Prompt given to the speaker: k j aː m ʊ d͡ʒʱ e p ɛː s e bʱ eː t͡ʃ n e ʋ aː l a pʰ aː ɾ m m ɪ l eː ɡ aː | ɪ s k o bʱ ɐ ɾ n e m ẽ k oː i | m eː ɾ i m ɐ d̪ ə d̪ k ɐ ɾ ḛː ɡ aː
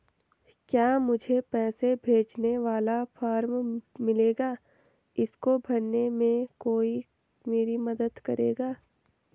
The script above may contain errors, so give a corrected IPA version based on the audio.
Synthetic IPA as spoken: k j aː m ʊ d͡ʒʱ e p ɛː s e bʱ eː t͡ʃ n e ʋ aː l a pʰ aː ɾ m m ɪ l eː ɡ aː | ɪ s k o bʱ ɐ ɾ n e m ẽ k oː i | m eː ɾ i m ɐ d̪ ə d̪ k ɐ ɾ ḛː ɡ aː